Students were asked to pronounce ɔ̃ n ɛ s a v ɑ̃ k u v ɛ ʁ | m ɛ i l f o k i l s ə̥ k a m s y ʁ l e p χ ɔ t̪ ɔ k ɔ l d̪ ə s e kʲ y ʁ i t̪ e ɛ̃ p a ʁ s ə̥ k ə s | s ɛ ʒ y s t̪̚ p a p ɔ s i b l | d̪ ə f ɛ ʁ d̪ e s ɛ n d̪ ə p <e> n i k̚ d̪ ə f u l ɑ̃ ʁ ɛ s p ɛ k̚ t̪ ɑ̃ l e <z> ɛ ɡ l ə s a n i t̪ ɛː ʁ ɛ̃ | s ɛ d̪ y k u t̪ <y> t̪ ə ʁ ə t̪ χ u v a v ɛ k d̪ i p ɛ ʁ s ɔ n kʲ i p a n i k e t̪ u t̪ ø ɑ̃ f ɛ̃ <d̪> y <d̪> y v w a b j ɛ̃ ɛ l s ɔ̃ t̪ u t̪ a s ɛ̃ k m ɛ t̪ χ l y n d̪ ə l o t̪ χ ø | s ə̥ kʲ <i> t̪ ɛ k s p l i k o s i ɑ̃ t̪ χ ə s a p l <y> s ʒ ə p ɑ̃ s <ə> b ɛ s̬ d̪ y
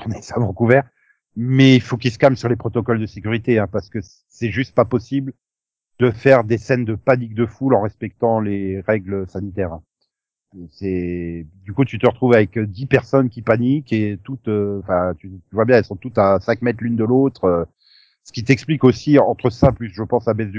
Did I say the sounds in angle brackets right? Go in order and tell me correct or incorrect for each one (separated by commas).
incorrect, incorrect, correct, incorrect, incorrect, correct, correct, incorrect